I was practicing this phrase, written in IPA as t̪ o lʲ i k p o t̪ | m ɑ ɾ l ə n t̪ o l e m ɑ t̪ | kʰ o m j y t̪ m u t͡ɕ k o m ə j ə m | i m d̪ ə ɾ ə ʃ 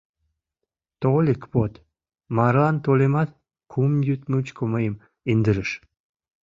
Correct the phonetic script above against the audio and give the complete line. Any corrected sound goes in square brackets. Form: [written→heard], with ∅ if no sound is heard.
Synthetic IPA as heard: t̪ o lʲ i k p o t̪ | m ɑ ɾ l [ə→ɑ] n t̪ o l e m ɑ t̪ | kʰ [o→u] m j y t̪ m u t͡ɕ k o m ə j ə m | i [m→n] d̪ ə ɾ ə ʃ